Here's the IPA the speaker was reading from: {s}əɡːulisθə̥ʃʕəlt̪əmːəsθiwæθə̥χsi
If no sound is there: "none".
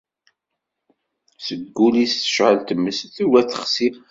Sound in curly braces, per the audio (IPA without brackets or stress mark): s